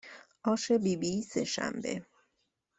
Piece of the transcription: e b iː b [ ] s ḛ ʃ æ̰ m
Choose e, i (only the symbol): i